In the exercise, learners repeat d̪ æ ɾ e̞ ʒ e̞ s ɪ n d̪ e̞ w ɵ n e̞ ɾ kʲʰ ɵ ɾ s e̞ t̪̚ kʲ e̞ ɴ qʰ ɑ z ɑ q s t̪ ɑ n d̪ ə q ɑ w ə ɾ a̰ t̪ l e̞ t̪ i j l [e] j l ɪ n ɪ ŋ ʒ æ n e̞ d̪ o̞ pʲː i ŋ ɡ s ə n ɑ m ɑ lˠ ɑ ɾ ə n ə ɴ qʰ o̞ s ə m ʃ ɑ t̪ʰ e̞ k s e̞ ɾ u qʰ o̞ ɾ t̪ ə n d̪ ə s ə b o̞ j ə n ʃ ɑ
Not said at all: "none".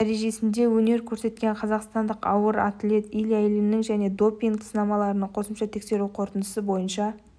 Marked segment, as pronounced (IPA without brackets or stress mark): æ